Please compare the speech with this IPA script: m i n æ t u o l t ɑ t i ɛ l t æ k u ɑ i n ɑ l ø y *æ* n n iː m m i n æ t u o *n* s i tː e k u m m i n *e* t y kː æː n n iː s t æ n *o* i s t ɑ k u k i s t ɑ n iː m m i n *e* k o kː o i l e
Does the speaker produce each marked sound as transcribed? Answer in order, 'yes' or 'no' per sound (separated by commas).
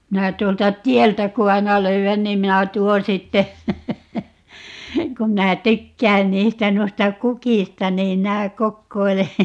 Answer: yes, yes, no, no, no